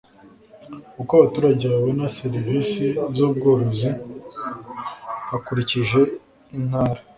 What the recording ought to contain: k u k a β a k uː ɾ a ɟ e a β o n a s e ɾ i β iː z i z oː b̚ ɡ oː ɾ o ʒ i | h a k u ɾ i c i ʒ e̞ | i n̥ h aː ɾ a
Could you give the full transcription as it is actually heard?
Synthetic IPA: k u k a β a t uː ɾ a ɟ e a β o n a s e ɾ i v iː s i z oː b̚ ɡ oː ɾ o z i | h a k u ɾ i c i ʒ e̞ | i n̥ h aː ɾ a